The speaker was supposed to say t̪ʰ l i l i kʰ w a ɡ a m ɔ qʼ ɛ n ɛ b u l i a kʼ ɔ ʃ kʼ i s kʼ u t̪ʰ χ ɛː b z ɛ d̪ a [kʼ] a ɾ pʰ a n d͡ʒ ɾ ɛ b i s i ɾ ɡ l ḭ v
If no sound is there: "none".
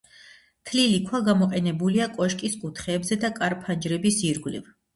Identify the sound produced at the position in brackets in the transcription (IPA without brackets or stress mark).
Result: kʼ